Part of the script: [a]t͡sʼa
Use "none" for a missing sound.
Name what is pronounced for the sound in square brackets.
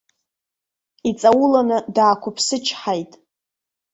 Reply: i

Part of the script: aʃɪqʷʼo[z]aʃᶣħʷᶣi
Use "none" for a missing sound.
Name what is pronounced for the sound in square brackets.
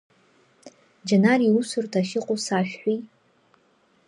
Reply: s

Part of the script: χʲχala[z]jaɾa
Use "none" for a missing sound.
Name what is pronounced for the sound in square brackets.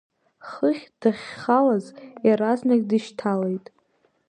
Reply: z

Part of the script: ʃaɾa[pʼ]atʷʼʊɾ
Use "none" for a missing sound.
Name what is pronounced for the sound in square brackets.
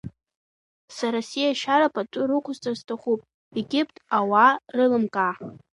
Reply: pʼ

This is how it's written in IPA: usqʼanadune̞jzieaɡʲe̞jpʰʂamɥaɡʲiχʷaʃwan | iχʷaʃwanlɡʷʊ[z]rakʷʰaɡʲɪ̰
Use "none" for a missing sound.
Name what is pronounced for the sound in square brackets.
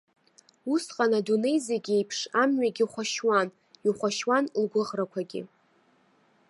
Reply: ʁ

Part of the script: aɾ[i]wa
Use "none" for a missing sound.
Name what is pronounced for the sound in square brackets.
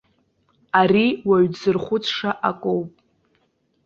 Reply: i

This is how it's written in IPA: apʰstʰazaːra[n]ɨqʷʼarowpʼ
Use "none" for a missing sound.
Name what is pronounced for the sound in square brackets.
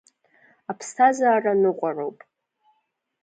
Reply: n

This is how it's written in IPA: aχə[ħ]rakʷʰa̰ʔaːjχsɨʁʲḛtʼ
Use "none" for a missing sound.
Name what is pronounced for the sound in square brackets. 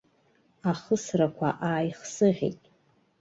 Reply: s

